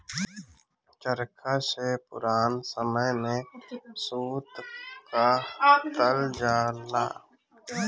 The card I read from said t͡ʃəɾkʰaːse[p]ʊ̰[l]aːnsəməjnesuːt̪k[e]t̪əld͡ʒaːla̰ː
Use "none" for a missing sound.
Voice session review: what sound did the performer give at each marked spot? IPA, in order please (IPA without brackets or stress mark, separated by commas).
p, ɾ, a